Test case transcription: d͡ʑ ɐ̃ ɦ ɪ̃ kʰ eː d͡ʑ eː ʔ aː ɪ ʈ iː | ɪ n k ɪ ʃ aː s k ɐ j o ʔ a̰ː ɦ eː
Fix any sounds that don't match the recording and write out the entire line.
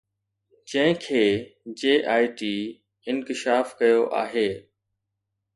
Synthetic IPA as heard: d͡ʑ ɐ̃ ɦ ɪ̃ kʰ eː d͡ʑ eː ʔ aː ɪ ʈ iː | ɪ n k ɪ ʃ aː f k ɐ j o ʔ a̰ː ɦ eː